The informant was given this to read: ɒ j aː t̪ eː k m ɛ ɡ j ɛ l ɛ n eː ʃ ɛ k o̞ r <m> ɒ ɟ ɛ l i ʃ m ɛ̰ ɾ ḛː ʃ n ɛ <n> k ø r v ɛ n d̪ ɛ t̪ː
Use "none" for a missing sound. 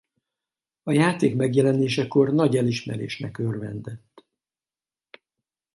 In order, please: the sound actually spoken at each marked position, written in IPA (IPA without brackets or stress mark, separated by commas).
n, none